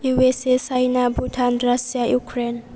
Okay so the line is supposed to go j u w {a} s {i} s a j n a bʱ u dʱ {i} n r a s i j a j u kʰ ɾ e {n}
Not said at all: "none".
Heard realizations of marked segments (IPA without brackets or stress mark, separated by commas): e, e, a, n